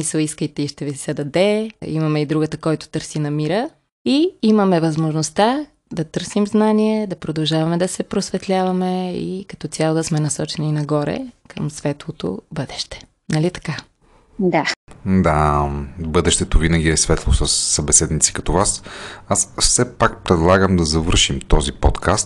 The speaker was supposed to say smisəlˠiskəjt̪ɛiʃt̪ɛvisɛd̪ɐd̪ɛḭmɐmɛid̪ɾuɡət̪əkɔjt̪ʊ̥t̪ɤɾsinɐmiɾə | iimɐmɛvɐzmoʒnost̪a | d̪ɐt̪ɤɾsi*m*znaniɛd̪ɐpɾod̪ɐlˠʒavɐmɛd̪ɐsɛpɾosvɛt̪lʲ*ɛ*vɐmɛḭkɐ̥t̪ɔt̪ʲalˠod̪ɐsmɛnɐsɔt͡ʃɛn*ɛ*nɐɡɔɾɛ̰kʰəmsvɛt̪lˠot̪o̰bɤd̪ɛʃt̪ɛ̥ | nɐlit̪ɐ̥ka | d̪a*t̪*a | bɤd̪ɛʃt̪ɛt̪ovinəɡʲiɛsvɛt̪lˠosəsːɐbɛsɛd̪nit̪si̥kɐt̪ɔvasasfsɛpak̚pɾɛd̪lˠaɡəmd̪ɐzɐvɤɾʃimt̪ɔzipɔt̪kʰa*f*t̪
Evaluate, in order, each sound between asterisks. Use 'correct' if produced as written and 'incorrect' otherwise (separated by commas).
correct, incorrect, incorrect, incorrect, incorrect